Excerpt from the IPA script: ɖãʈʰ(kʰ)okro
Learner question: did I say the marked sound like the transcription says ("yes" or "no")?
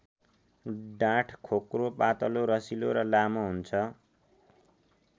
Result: yes